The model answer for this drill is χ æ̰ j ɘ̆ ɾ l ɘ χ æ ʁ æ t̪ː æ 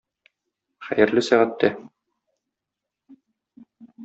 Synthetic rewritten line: χ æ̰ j ɘ̆ ɾ l ɘ s æ ʁ æ t̪ː æ